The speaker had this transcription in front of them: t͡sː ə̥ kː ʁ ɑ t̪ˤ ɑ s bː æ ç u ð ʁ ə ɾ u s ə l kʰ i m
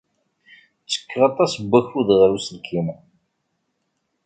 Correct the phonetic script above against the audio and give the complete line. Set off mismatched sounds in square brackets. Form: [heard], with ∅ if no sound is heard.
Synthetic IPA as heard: t͡sː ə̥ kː ʁ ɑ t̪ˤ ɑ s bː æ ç u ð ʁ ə ɾ u s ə l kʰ i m